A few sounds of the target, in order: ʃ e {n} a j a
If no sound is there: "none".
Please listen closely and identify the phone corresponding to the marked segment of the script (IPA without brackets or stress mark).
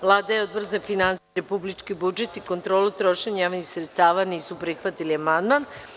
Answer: ɲ